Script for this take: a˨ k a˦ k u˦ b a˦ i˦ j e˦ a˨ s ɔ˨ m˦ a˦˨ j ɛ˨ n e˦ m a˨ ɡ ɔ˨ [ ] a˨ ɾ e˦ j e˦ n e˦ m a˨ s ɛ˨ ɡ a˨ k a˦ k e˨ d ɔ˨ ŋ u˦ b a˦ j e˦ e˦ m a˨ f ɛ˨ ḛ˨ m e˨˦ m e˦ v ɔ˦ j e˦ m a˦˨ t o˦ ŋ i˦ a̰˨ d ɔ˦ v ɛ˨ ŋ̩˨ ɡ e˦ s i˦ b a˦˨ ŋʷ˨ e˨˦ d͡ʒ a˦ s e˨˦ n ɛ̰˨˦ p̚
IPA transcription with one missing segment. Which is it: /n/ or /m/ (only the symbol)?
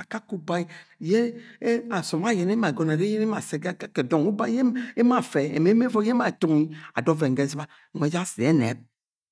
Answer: n